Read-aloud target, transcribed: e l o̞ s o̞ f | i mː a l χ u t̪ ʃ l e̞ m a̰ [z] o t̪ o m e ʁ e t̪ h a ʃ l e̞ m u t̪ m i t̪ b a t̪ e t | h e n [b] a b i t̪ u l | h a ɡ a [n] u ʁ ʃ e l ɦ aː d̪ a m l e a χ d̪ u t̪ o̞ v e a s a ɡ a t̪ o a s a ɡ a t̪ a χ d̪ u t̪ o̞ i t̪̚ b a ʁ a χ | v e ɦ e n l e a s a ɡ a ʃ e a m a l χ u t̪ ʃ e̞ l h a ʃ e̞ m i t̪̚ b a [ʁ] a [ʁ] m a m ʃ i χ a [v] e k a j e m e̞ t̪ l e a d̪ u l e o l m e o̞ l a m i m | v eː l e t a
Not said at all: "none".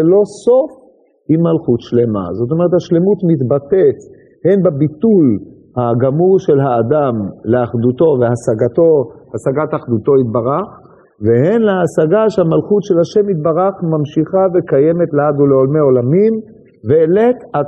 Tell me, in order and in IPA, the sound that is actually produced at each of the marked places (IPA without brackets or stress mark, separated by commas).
z, b, m, ʁ, χ, v